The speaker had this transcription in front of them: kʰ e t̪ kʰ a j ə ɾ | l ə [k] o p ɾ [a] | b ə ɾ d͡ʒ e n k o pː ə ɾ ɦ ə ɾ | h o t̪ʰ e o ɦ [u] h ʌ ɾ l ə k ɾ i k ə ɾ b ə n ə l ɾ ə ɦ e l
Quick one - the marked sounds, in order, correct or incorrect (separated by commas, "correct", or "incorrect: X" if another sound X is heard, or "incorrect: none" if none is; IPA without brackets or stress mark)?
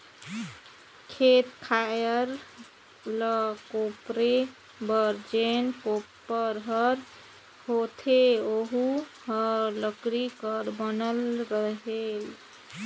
correct, incorrect: e, correct